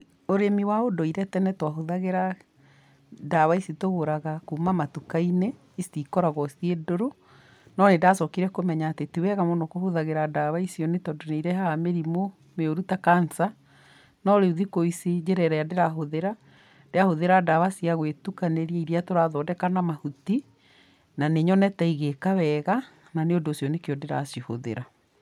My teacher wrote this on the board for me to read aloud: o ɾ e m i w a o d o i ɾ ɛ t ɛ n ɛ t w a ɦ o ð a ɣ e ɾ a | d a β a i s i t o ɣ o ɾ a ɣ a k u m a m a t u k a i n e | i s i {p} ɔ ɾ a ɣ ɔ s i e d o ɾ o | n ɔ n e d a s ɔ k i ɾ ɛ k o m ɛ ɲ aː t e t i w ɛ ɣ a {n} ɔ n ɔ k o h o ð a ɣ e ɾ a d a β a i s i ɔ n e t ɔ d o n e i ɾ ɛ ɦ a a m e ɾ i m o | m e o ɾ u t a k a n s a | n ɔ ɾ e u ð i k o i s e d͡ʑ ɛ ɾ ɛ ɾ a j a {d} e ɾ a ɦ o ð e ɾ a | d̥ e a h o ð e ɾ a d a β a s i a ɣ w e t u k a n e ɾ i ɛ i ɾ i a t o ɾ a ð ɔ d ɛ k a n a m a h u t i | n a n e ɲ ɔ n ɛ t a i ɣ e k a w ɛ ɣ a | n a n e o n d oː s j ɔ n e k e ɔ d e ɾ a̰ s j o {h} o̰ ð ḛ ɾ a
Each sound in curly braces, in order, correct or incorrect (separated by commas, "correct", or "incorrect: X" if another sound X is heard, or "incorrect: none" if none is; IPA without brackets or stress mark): incorrect: k, incorrect: m, correct, correct